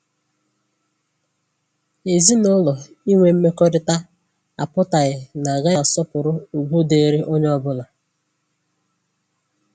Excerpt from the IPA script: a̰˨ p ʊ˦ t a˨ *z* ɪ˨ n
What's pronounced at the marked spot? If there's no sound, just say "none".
ɣ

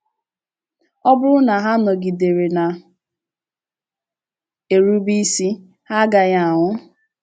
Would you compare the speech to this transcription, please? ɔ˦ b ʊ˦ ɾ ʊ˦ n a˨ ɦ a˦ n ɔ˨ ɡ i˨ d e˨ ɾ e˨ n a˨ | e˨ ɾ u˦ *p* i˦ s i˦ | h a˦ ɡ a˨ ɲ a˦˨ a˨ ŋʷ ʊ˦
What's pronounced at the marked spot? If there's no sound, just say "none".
b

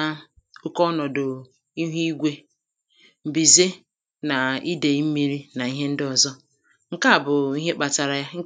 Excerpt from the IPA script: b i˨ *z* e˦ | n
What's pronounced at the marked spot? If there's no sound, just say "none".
z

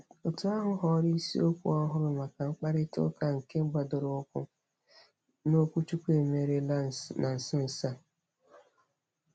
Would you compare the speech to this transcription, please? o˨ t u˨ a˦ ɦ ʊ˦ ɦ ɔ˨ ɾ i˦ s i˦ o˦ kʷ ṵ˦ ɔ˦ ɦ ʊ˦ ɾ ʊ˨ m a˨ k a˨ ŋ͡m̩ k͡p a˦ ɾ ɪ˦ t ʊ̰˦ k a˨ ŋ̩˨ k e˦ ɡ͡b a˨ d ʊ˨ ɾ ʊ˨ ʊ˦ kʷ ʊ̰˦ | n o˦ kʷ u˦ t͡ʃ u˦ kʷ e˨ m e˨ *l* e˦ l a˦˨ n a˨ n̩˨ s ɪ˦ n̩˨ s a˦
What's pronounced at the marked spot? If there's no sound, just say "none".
ɾ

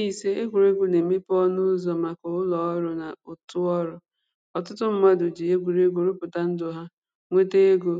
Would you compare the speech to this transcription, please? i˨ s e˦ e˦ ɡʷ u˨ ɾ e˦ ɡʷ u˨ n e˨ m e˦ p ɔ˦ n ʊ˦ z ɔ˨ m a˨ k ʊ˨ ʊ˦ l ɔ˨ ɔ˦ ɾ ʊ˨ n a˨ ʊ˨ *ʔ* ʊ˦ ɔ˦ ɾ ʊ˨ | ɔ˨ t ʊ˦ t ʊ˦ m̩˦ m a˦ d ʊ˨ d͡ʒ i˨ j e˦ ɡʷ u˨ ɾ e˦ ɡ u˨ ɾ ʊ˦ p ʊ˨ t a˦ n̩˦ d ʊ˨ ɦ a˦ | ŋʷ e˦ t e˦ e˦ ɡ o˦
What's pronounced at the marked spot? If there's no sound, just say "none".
t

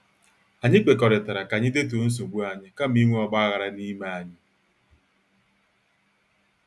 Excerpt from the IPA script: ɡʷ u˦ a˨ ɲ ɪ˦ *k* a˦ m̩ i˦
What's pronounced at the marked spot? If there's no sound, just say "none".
k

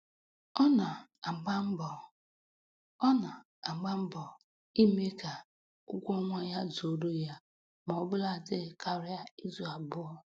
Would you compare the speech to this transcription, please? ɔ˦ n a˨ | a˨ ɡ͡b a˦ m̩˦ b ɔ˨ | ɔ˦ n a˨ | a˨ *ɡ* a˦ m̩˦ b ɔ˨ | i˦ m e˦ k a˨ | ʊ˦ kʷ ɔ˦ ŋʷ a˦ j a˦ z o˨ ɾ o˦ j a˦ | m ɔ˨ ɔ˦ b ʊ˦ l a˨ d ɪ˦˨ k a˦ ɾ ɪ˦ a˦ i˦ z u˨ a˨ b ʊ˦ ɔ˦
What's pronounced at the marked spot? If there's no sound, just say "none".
ɡ͡b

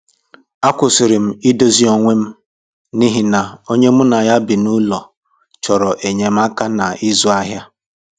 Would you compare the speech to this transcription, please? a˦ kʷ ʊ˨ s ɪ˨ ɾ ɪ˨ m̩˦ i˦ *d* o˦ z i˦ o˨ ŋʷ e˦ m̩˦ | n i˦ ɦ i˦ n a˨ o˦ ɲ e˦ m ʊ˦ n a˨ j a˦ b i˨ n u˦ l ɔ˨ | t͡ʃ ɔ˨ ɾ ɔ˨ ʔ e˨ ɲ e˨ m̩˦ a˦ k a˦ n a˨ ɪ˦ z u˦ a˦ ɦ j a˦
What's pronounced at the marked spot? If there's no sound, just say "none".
d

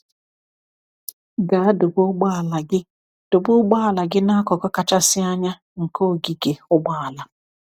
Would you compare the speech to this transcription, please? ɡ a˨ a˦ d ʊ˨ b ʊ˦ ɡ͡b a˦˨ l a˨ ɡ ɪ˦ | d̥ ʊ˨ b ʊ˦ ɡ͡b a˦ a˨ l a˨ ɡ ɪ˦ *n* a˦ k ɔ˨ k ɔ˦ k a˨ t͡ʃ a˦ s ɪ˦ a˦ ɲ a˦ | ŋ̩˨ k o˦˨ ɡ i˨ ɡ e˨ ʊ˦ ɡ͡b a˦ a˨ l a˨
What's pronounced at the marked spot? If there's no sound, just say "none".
n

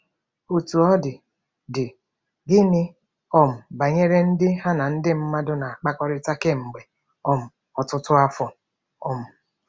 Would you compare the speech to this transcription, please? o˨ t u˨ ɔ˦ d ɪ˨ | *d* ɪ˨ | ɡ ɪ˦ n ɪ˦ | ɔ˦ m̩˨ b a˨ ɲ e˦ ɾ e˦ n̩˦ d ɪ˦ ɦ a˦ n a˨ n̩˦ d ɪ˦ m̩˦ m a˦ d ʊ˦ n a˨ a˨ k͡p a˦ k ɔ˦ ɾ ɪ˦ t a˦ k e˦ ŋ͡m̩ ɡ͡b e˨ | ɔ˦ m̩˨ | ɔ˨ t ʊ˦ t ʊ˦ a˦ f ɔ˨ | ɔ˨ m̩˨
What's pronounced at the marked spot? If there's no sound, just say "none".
d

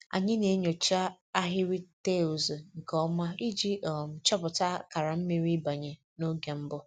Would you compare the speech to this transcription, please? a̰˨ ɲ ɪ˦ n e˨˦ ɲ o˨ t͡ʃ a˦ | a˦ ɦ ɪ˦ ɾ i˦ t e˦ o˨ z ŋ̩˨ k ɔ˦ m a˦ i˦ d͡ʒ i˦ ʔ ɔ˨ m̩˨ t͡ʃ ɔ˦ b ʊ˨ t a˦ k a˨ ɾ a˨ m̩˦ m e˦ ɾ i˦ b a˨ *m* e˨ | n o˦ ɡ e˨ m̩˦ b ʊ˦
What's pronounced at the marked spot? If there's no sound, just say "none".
ɲ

